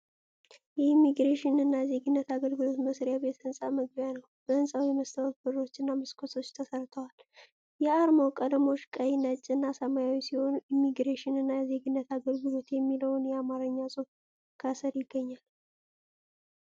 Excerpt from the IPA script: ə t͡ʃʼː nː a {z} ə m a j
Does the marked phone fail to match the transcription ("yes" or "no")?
yes